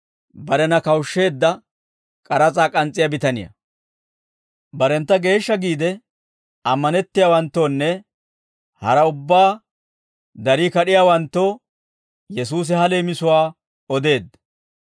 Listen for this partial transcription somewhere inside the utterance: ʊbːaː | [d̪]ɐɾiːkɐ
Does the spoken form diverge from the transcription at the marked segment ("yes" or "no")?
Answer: no